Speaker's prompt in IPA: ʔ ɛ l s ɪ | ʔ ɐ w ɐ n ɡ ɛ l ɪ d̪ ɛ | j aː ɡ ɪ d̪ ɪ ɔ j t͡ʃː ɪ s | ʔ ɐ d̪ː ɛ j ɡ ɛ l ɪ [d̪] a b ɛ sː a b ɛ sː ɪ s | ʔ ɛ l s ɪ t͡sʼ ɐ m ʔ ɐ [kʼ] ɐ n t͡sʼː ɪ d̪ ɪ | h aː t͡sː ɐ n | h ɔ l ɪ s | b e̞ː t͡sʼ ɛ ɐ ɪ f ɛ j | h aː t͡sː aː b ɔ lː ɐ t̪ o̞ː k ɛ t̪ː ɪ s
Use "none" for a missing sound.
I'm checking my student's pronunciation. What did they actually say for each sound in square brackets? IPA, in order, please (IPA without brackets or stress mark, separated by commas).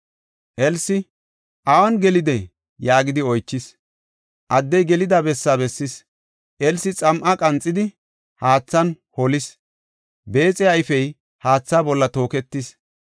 d̪, kʼ